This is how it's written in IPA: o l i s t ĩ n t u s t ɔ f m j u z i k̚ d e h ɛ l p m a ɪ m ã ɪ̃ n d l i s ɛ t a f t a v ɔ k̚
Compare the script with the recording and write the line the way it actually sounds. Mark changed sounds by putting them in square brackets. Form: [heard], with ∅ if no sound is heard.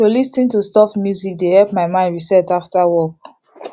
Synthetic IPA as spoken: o l i s t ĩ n t u s t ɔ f m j u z i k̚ d e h ɛ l p m a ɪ m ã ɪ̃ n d [ɹ] i s ɛ t a f t a [w] ɔ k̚